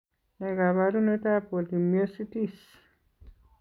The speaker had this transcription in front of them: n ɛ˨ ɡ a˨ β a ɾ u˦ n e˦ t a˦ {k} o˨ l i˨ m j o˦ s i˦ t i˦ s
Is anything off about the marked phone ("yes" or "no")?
yes